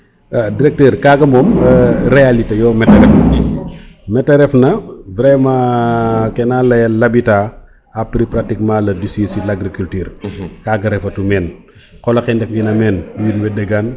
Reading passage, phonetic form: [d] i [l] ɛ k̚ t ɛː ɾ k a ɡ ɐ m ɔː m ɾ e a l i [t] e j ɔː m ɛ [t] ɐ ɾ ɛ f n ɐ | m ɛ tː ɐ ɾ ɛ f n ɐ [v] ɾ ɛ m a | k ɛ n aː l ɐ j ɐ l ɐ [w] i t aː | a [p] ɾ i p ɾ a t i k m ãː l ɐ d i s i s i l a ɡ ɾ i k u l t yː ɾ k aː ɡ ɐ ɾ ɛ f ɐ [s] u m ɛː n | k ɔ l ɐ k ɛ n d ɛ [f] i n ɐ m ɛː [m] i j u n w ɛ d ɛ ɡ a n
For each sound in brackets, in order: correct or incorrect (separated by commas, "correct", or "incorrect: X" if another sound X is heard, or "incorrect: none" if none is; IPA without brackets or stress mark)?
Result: correct, incorrect: ɾ, correct, correct, correct, incorrect: b, correct, incorrect: t, correct, incorrect: n